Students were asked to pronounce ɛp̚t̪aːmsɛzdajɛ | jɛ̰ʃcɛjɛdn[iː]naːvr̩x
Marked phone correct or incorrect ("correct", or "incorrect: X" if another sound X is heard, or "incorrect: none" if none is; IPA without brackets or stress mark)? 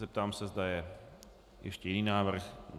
correct